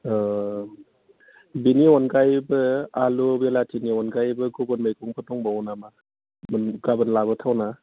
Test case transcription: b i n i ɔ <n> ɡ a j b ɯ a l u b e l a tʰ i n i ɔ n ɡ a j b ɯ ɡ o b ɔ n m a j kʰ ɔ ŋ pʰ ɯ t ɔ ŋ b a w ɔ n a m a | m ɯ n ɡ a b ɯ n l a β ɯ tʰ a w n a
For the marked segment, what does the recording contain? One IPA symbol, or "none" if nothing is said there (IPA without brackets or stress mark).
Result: n